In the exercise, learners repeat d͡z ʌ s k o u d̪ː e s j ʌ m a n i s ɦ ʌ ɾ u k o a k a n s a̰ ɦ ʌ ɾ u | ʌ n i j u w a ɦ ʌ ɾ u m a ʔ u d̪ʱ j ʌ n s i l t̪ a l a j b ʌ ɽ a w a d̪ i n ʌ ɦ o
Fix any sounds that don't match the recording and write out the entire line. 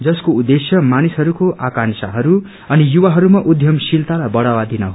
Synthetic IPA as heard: d͡z ʌ s k o u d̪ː e s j ʌ m a n i s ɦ ʌ ɾ u k o a k a n s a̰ ɦ ʌ ɾ u | ʌ n i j u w a ɦ ʌ ɾ u m a ʔ u d̪ʱ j ʌ m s i l t̪ a l a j b ʌ ɽ a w a d̪ i n ʌ ɦ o